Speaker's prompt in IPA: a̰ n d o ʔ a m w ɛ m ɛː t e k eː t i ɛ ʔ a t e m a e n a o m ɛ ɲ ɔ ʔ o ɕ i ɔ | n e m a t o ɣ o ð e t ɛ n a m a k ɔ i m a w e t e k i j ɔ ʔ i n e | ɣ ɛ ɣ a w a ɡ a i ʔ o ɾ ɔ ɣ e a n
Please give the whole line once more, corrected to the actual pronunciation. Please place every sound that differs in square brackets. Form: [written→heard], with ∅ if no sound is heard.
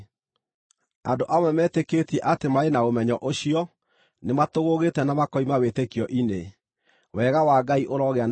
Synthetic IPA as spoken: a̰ n d o ʔ a m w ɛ m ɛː t e k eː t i ɛ ʔ a t e m a e n a o m ɛ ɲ ɔ ʔ o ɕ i ɔ | n e m a t o ɣ o [ð→ɣ] e t ɛ n a m a k ɔ i m a w e t e k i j ɔ ʔ i n e | [ɣ→w] ɛ ɣ a w a ɡ a i ʔ o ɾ ɔ ɣ e a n